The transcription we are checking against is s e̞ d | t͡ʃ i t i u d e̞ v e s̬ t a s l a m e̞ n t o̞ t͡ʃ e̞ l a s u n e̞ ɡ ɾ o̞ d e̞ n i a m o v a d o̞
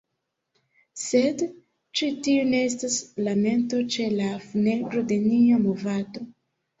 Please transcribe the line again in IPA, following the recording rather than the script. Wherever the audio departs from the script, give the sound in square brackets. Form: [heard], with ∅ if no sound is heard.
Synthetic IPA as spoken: s e̞ d | t͡ʃ i t i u [n] e̞ [∅] e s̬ t a s l a m e̞ n t o̞ t͡ʃ e̞ l a [f] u n e̞ ɡ ɾ o̞ d e̞ n i a m o v a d o̞